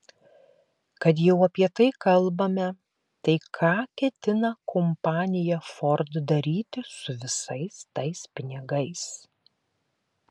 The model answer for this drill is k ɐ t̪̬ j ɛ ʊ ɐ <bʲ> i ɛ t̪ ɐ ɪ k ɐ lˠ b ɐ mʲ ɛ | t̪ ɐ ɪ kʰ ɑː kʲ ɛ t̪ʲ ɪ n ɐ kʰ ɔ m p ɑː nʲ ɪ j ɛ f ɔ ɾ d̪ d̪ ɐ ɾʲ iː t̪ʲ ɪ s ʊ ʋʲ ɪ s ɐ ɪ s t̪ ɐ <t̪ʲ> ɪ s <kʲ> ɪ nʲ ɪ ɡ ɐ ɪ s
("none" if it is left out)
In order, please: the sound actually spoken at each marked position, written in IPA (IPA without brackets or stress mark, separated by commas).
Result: pʲ, none, pʲ